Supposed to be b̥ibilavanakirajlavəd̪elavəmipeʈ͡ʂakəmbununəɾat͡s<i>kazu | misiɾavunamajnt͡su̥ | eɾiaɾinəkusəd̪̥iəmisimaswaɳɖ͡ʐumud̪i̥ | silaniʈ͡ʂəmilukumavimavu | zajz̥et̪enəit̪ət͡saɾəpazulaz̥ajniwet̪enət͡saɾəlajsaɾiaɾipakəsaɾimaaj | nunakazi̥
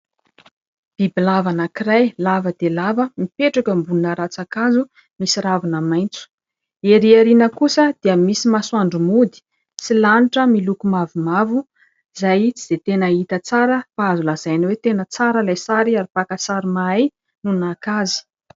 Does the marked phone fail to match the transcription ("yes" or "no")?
yes